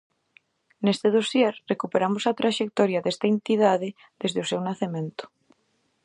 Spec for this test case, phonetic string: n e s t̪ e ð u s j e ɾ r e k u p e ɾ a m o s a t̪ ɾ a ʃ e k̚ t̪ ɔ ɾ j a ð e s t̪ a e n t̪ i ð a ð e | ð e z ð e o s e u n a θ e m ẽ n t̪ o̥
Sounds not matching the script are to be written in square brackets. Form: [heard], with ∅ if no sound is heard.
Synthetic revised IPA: n e s t̪ e ð [o] s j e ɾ r e k u p e ɾ a m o s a t̪ ɾ a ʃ e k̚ t̪ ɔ ɾ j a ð e s t̪ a e n t̪ i ð a ð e | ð e z ð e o s e [w] n a θ e m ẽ n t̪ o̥